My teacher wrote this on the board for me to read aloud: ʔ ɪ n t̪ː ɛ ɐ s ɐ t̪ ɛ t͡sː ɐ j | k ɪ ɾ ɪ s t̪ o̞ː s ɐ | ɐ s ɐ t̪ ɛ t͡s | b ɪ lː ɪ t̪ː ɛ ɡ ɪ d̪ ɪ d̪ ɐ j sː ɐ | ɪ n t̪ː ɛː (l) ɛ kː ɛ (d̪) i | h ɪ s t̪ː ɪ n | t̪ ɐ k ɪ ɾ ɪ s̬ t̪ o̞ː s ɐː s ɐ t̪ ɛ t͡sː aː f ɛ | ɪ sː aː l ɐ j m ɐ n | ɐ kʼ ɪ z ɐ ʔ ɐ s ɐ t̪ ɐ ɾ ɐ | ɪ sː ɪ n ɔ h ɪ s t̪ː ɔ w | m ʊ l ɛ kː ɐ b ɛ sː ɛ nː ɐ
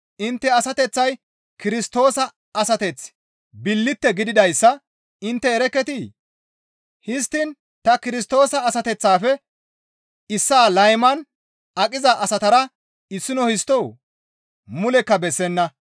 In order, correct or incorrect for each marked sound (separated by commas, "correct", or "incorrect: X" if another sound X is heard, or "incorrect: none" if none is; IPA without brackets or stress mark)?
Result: incorrect: ɾ, incorrect: t̪